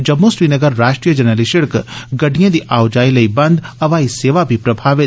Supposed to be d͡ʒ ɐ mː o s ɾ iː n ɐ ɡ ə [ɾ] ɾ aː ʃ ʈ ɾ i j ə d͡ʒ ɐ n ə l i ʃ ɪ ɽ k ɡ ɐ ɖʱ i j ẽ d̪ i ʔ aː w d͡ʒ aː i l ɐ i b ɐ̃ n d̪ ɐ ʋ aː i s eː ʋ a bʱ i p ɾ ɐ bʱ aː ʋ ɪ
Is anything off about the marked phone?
no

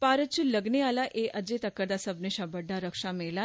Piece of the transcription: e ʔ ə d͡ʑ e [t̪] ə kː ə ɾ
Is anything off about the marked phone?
no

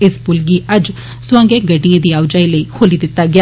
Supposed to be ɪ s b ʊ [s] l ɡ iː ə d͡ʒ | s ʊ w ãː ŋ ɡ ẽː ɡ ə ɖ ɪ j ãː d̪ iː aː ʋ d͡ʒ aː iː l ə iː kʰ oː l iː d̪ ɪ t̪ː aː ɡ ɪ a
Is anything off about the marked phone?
yes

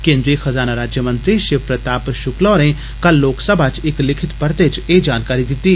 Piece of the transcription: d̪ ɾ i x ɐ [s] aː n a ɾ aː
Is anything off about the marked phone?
yes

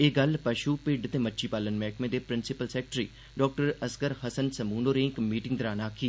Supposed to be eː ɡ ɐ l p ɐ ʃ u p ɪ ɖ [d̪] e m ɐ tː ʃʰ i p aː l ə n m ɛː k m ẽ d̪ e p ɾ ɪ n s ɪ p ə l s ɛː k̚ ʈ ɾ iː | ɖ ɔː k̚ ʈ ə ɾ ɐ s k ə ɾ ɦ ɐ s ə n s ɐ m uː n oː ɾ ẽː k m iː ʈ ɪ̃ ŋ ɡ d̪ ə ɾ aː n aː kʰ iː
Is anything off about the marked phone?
yes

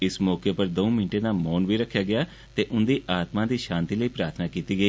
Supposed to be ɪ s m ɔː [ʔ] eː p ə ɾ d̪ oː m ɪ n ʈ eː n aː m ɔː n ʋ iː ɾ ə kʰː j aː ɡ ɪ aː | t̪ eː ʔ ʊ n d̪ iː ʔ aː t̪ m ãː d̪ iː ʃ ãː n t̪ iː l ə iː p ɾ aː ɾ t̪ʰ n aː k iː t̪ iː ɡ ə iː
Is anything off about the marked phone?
yes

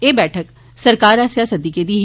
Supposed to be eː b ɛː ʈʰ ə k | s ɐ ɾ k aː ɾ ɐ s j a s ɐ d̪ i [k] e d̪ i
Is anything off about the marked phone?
no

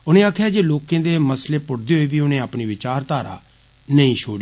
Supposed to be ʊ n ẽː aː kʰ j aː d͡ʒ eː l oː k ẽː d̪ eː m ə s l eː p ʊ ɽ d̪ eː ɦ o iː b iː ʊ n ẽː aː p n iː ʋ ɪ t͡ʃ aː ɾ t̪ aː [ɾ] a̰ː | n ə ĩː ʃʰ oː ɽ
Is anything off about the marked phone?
no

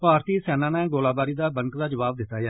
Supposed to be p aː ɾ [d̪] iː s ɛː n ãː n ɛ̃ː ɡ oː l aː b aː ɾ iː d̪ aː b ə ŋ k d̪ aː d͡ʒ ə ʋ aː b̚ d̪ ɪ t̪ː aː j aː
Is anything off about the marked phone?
yes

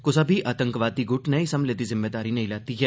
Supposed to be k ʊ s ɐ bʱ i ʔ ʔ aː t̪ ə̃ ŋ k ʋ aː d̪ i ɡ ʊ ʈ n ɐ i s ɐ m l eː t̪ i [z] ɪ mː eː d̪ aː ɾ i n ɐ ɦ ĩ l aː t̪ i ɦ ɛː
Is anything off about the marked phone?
no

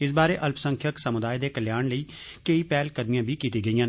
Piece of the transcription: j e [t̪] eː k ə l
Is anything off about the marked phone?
yes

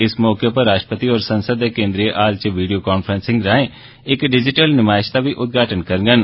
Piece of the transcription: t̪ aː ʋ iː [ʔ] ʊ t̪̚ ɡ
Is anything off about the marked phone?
no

